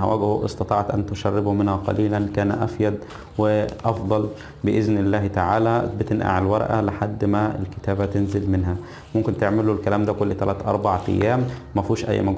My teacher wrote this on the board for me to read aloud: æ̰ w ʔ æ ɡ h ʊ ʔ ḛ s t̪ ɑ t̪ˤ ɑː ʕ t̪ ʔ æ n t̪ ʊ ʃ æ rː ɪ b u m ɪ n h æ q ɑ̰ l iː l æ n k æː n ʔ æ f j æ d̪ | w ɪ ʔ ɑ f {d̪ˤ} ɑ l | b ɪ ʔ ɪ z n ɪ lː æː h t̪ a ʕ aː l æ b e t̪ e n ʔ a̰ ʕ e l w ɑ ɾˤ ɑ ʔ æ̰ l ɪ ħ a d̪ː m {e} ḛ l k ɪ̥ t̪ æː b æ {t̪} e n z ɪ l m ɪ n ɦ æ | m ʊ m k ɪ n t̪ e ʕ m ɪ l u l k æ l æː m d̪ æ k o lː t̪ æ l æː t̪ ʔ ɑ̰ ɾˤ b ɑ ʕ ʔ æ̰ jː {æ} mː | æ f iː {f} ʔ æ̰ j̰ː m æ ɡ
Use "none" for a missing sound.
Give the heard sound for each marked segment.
d̪ˤ, æ, t̪, æː, ʃ

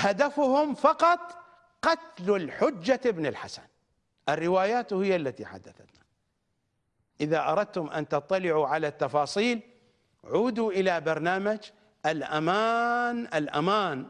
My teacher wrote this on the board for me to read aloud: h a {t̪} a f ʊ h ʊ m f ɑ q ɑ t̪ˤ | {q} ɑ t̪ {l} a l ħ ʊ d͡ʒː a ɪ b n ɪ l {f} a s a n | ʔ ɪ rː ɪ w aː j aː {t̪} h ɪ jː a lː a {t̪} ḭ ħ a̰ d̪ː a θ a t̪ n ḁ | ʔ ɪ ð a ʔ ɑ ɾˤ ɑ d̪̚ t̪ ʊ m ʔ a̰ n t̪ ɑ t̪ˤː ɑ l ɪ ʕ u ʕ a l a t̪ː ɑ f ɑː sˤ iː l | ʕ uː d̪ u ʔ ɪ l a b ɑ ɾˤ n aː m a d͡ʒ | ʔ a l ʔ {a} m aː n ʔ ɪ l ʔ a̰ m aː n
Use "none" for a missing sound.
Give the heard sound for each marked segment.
d̪, q, l, ħ, t̪, t̪, a

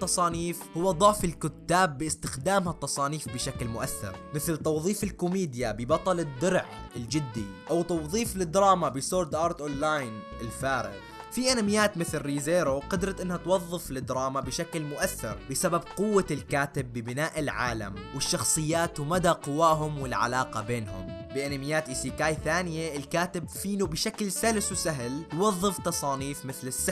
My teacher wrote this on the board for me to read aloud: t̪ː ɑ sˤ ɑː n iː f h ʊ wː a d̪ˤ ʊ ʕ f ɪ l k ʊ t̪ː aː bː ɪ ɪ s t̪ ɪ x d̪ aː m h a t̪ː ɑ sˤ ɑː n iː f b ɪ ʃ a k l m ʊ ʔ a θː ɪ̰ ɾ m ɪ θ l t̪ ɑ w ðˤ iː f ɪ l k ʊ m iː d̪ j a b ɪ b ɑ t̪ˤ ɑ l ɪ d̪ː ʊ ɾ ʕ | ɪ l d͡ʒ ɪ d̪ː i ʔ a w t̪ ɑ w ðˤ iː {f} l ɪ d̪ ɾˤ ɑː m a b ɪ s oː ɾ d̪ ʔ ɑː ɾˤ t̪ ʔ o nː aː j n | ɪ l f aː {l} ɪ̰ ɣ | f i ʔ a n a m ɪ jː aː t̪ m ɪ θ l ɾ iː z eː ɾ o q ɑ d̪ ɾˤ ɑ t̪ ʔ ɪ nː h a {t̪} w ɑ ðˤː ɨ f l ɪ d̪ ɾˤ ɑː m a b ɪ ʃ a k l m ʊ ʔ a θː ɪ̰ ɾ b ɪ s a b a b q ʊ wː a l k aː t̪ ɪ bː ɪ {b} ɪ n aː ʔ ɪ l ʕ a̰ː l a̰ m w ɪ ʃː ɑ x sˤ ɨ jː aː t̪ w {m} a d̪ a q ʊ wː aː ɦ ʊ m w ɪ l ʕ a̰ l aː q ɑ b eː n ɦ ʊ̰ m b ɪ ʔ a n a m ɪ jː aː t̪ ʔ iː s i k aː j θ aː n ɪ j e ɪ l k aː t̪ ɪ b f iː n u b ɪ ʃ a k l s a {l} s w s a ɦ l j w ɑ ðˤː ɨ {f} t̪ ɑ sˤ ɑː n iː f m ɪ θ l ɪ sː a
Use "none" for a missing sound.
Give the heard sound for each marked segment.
f, ɾ, t̪, b, m, l, f

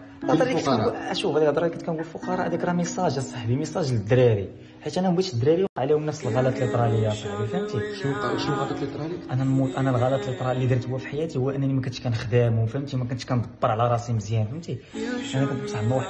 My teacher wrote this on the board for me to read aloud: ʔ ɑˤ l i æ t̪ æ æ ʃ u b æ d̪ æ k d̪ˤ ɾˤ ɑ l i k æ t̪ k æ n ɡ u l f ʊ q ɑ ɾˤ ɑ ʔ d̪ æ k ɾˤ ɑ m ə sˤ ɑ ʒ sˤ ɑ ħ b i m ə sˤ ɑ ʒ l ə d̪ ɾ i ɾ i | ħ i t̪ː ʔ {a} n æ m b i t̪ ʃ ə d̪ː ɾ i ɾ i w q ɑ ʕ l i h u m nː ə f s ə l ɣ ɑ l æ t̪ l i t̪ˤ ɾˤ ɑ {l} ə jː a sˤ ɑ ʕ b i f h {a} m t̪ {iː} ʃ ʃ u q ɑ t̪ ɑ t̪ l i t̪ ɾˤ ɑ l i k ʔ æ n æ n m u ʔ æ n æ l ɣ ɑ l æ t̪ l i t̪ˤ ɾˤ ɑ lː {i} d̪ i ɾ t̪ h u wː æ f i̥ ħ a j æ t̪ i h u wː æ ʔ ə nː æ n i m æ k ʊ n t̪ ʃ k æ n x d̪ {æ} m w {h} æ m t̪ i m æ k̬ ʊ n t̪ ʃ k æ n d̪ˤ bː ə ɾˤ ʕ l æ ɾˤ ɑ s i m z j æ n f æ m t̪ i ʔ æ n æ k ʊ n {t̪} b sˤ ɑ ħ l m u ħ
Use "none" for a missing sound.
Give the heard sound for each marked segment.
æ, l, æ, i, i, æ, f, t̪

